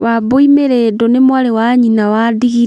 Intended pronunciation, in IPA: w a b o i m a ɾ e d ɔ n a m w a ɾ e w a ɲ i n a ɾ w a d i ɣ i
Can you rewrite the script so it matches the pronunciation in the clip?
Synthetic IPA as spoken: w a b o i m e ɾ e d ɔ n e m w a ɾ e w a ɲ i n a w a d i ɣ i